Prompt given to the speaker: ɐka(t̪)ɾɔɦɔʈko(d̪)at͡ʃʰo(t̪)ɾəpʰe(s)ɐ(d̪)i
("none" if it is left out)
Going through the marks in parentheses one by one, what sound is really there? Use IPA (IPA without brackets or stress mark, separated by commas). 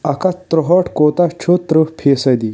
t̪, t̪, t̪, s, d̪